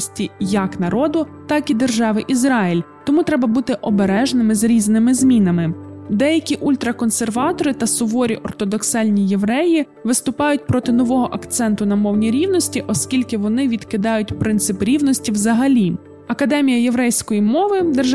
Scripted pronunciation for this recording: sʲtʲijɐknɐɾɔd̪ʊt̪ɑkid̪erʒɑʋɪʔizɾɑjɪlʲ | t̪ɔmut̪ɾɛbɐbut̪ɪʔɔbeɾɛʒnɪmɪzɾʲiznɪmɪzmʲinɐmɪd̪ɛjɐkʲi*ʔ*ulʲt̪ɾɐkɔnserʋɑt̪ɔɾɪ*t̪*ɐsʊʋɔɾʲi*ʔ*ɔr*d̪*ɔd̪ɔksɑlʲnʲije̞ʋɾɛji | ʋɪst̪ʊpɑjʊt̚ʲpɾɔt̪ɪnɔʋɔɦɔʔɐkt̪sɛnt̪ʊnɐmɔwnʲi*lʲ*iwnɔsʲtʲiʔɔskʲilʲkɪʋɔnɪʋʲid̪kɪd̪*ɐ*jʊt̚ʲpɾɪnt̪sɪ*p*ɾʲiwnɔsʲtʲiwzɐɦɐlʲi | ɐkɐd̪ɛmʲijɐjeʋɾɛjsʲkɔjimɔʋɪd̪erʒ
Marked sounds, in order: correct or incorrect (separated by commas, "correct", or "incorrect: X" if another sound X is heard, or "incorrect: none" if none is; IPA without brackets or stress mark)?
correct, correct, correct, incorrect: t̪, incorrect: ɾʲ, incorrect: ɑ, correct